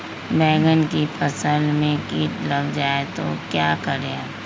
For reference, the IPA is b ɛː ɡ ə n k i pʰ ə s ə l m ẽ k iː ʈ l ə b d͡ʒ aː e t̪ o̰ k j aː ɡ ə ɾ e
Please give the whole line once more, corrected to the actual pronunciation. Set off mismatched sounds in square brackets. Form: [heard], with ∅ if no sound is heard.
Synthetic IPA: b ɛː ɡ ə n k i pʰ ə s ə l m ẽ k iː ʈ l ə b d͡ʒ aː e t̪ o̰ k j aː [k] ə ɾ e